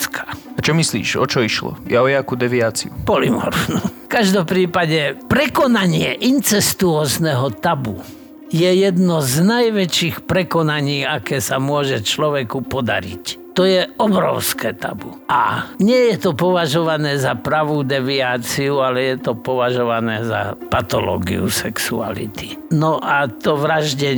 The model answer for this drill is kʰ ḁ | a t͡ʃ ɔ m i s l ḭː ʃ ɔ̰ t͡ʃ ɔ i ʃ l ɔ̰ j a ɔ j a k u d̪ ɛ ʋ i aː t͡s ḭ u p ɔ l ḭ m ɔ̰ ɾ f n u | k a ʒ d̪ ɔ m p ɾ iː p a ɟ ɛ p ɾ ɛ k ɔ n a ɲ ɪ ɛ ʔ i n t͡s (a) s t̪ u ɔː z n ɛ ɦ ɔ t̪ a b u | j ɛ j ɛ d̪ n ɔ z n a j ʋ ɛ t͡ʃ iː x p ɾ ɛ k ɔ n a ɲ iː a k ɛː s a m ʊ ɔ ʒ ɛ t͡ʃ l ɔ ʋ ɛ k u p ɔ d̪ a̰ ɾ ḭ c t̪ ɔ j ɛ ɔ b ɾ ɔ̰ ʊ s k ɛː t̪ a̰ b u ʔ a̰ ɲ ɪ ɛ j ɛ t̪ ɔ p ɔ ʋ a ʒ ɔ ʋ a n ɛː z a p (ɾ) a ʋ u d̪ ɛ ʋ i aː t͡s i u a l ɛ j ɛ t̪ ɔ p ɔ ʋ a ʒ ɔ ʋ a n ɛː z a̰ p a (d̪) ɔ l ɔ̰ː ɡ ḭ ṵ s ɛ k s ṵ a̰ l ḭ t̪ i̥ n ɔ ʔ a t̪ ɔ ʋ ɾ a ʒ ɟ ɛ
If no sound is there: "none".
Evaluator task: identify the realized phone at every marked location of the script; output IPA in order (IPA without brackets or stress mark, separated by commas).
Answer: ɛ, ɾ, t̪